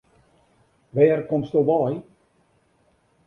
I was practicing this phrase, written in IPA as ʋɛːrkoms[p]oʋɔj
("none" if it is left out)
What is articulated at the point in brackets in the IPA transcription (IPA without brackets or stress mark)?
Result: t